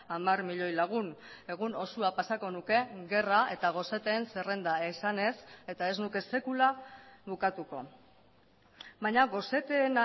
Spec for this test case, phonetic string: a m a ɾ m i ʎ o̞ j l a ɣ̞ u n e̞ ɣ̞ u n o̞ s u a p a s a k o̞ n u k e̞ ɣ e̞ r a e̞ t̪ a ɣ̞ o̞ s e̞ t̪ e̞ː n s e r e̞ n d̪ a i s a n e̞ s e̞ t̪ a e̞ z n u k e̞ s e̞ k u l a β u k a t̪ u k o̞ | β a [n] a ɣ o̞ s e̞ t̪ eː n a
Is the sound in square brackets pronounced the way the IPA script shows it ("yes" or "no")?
no